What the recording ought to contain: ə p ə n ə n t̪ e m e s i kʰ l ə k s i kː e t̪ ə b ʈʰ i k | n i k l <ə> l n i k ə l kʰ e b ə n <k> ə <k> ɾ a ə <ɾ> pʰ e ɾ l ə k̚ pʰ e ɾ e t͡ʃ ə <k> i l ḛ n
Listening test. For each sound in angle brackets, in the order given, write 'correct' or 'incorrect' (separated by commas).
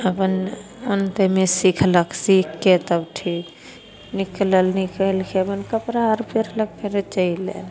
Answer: correct, correct, incorrect, correct, incorrect